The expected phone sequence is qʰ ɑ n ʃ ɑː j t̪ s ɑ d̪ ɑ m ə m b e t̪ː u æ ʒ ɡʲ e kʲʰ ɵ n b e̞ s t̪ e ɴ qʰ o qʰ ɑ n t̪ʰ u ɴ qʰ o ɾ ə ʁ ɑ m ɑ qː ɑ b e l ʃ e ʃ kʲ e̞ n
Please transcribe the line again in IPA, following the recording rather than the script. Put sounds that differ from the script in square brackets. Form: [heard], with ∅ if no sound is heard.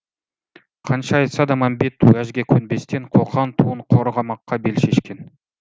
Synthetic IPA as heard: qʰ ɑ n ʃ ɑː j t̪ s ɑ d̪ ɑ m [ɑ] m b e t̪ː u æ ʒ ɡʲ e kʲʰ ɵ n b e̞ s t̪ e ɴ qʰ o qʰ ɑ n t̪ʰ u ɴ qʰ o ɾ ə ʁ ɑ m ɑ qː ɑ b e l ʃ e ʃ kʲ e̞ n